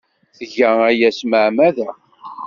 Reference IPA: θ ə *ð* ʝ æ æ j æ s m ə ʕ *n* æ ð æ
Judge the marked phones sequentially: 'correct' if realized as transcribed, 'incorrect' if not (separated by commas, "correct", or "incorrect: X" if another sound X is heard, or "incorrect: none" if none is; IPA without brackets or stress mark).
incorrect: none, incorrect: m